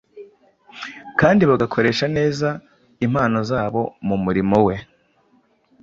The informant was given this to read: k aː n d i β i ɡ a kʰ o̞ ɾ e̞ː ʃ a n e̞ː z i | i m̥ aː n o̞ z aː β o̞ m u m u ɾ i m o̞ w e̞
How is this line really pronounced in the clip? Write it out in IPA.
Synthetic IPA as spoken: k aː n d i β a ɡ a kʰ o̞ ɾ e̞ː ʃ a n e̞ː z a | i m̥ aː n o̞ z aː β o̞ m u m u ɾ i m o̞ w e̞